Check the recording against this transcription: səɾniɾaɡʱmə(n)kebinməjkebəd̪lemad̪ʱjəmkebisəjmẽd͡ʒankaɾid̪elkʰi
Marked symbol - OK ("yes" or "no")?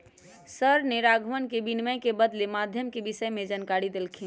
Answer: yes